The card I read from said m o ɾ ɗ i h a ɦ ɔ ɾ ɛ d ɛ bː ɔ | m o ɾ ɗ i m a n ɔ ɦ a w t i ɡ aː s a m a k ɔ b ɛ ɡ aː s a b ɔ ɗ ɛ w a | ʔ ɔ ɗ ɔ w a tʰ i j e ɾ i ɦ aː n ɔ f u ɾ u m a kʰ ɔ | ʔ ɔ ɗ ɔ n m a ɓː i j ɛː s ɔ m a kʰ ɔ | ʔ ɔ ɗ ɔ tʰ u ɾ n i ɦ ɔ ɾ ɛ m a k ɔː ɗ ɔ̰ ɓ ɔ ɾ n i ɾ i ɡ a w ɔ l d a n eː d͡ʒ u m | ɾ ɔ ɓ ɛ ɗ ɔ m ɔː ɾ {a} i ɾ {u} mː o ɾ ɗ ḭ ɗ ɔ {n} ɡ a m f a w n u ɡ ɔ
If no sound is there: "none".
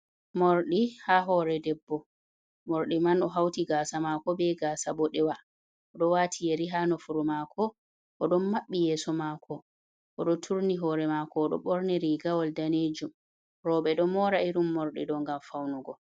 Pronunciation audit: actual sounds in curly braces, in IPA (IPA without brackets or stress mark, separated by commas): a, u, ŋ